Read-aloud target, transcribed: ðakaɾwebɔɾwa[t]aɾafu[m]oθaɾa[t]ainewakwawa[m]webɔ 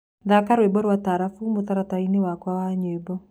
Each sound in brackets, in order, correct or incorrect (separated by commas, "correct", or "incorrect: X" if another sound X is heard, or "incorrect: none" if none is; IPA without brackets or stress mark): correct, correct, correct, incorrect: ɲ